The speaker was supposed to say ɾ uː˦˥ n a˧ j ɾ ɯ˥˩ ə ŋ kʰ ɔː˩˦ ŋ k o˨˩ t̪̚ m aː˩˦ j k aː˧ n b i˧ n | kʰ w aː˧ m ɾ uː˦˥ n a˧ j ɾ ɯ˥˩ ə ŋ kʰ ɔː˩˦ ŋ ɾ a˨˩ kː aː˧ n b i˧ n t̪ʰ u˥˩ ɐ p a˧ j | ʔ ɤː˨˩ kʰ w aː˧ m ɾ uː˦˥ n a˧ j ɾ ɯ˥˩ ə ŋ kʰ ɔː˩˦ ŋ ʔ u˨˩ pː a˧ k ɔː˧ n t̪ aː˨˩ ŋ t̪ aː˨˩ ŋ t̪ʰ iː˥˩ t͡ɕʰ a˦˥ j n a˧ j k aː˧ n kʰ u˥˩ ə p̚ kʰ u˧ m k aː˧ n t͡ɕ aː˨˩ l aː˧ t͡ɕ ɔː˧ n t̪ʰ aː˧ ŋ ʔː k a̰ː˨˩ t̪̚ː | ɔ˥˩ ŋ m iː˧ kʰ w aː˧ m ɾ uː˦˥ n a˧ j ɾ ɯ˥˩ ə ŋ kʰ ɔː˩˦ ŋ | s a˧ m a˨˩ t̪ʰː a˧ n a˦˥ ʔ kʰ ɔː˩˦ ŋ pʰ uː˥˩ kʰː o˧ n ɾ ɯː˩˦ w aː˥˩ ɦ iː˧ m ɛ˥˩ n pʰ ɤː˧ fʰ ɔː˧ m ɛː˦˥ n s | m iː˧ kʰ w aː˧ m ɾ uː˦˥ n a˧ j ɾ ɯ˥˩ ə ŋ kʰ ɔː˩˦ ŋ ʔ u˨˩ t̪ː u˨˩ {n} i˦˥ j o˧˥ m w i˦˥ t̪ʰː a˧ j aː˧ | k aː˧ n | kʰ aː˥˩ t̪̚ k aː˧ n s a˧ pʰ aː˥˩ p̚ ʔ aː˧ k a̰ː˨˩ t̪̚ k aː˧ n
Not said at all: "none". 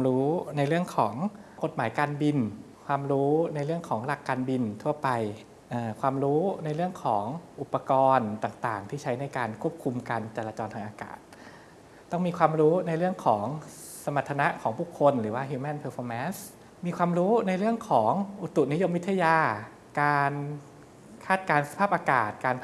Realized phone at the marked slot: n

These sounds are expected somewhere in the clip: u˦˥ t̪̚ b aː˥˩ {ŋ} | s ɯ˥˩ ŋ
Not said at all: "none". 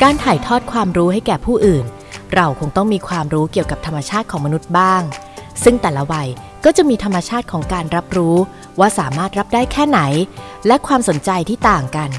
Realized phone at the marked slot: ŋ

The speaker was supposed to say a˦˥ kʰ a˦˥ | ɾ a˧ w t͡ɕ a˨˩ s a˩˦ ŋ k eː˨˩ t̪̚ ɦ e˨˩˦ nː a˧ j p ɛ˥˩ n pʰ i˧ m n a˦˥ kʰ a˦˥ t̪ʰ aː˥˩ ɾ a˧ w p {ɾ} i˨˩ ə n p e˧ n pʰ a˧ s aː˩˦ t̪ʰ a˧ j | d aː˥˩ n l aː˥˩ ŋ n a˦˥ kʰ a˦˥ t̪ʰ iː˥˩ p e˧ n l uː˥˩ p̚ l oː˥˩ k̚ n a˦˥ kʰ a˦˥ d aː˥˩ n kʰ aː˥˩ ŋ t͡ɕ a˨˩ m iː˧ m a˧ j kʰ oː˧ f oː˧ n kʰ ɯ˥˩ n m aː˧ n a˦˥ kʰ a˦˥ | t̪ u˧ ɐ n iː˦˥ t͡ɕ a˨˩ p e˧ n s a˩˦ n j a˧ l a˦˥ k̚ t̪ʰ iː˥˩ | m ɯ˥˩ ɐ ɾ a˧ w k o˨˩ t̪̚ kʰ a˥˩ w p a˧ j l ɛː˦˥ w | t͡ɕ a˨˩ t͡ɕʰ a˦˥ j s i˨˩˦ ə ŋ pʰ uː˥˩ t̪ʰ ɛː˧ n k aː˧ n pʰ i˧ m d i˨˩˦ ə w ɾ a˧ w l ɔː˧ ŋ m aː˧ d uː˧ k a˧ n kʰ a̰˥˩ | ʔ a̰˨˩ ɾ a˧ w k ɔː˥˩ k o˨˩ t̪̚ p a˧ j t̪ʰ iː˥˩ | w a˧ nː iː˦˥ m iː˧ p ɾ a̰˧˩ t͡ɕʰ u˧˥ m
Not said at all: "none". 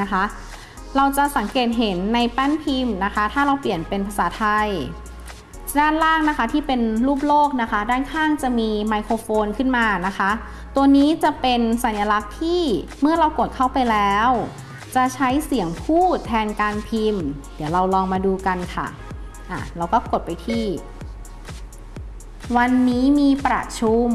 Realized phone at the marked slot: l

